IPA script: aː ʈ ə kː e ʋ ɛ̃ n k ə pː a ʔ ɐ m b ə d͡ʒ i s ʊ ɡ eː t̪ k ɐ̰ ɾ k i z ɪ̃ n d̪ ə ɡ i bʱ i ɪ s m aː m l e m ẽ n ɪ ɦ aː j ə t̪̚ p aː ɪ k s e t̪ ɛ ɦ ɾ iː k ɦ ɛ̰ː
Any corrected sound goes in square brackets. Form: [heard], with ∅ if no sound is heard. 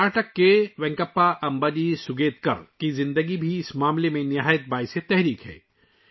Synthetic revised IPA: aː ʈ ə kː e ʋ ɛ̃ [ŋ] k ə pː a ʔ ɐ m b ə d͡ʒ i s ʊ ɡ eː t̪ k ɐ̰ ɾ k i z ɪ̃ n d̪ ə ɡ i bʱ i ɪ s m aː m l e m ẽ n ɪ ɦ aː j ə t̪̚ [b] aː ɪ [∅] s e t̪ ɛ ɦ ɾ iː k ɦ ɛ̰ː